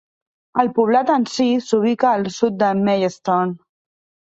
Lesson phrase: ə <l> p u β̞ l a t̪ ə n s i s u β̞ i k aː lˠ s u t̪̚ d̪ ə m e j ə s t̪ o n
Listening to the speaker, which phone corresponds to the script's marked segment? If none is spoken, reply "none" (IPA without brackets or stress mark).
l